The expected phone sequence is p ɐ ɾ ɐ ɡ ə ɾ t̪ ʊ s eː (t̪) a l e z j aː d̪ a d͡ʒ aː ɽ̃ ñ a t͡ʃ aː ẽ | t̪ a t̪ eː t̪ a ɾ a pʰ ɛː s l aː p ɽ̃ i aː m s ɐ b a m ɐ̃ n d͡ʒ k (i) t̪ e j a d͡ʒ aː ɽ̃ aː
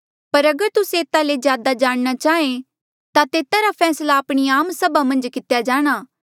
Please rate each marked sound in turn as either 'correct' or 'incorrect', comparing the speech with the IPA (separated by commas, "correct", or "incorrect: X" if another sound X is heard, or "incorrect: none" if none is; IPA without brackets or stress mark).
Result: correct, incorrect: ɪ